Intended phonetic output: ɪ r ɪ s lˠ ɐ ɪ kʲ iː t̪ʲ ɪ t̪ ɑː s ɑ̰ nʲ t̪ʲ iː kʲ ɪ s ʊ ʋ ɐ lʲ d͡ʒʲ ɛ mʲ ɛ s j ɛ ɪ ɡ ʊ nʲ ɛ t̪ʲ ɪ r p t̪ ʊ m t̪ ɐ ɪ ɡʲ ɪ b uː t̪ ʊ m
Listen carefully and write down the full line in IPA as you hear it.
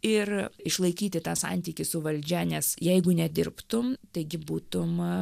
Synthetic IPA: ɪ r ɪ ʃ lˠ ɐ ɪ kʲ iː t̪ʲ ɪ t̪ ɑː s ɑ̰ nʲ t̪ʲ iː kʲ ɪ s ʊ ʋ ɐ lʲ d͡ʒʲ ɛ nʲ ɛ s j ɛ ɪ ɡ ʊ nʲ ɛ d̪ʲ ɪ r p t̪ ʊ m t̪ ɐ ɪ ɡʲ ɪ b uː t̪ ʊ m